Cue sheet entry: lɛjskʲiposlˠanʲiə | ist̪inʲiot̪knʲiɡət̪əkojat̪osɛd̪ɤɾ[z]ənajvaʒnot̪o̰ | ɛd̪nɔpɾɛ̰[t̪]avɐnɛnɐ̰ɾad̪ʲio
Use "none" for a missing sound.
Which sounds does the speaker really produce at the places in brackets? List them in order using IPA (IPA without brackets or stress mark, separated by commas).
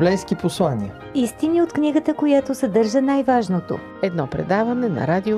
ʒ, d̪